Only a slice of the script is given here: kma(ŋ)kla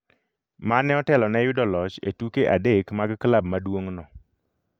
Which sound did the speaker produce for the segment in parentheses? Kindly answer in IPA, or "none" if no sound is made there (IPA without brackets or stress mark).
ɡ